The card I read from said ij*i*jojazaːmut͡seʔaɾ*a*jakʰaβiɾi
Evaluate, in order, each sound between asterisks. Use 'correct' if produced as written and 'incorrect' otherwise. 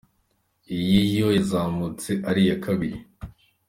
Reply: correct, incorrect

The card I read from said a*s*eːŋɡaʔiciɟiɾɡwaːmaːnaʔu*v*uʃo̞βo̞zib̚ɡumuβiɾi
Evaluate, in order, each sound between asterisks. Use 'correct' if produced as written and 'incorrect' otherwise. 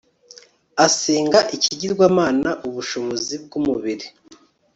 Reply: correct, incorrect

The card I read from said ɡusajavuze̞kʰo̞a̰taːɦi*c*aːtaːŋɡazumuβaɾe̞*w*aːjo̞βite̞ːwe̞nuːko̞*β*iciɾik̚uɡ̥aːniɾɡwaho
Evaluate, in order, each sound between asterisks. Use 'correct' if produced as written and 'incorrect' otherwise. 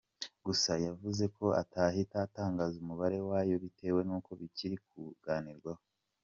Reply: incorrect, correct, correct

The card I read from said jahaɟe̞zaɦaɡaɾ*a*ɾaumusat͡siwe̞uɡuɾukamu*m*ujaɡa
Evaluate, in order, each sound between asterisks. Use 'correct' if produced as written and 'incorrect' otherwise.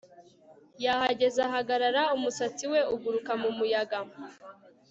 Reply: correct, correct

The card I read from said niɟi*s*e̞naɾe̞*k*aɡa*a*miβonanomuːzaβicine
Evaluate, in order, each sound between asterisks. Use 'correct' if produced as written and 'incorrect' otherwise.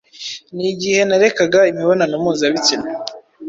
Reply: incorrect, correct, incorrect

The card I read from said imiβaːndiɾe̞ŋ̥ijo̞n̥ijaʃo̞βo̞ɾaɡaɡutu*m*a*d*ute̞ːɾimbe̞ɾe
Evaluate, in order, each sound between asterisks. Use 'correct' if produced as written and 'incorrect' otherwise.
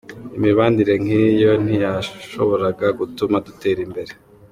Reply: correct, correct

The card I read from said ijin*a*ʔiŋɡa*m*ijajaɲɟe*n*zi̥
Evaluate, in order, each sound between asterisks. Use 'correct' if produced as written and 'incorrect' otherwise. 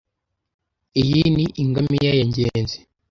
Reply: incorrect, correct, correct

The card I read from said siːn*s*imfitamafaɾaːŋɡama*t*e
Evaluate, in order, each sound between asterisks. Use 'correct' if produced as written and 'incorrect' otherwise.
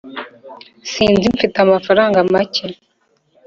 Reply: incorrect, incorrect

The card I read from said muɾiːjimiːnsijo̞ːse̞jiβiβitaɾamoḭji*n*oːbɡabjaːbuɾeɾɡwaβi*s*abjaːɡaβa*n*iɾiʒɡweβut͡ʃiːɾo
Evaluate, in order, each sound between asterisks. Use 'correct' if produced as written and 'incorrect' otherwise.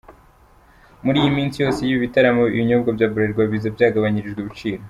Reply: incorrect, incorrect, incorrect

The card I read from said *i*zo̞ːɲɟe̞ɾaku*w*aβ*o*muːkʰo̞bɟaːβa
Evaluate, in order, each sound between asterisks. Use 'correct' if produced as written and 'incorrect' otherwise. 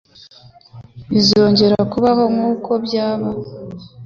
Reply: correct, incorrect, correct

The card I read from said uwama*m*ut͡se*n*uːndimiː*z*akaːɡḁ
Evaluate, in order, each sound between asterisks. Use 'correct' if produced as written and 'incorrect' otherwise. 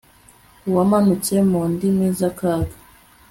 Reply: incorrect, incorrect, correct

